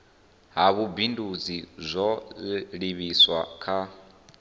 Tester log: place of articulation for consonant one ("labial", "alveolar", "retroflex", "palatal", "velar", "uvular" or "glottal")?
glottal